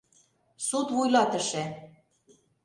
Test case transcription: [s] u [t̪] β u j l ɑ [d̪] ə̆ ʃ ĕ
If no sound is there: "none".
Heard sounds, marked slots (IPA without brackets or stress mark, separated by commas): s, t̪, t̪